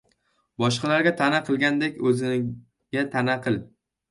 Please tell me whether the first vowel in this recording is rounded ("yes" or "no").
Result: yes